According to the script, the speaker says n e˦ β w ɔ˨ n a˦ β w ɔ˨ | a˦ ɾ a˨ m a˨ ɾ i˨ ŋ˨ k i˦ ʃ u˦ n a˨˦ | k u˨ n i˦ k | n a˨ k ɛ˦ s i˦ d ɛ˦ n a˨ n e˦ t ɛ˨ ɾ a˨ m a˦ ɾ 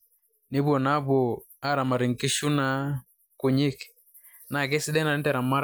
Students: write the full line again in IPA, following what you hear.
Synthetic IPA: n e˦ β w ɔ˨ n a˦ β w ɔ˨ | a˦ ɾ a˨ m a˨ ɾ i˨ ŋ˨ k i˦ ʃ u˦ n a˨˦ | k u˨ ɲ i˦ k | n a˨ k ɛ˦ s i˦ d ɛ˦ n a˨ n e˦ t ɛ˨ ɾ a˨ m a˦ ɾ